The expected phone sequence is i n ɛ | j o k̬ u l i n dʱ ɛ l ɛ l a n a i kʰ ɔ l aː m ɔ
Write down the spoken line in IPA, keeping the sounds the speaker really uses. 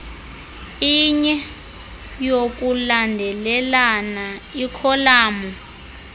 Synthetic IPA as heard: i ɲ ɛ | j o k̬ u l a n dʱ ɛ l ɛ l a n a i kʰ ɔ l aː m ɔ